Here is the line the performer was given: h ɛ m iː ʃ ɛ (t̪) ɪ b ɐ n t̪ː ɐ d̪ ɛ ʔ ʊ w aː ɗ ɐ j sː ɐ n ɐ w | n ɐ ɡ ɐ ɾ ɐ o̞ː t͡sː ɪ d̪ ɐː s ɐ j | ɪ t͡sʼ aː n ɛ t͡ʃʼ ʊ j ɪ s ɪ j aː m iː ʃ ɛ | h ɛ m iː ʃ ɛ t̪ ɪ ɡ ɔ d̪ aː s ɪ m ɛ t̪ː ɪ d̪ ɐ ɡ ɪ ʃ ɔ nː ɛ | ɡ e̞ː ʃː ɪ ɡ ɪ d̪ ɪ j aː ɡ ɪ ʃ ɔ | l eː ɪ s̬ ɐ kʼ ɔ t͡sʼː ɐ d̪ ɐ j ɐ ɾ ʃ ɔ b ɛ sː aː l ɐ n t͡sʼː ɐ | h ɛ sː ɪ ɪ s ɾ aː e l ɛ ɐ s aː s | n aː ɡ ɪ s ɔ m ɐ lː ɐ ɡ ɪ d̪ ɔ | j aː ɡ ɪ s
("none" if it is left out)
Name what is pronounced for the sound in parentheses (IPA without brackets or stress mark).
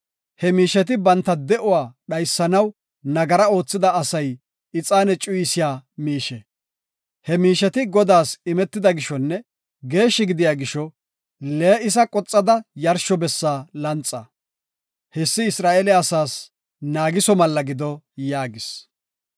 t̪